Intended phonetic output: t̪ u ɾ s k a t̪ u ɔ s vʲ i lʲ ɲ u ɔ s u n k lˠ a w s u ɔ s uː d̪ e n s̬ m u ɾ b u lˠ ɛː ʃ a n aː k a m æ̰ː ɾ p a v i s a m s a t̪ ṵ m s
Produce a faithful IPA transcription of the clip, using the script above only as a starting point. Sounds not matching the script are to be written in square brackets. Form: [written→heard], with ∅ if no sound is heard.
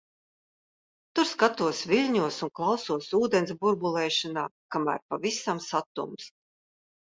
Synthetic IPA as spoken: t̪ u ɾ s k a t̪ u ɔ s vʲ i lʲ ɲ u ɔ s u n k lˠ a w s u ɔ s uː d̪ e n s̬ [m→b] u ɾ b u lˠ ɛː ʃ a n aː k a m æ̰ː ɾ p a v i s a m s a t̪ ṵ m s